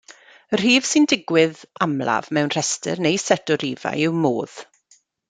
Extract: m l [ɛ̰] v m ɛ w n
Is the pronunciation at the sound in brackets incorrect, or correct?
incorrect